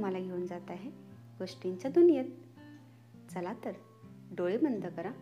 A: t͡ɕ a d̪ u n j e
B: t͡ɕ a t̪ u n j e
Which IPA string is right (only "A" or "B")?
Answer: A